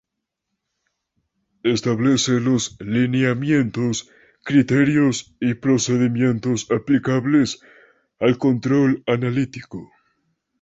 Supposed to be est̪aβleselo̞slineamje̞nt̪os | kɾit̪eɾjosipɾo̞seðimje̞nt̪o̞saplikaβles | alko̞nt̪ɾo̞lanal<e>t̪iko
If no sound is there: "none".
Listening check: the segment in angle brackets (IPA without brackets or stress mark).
i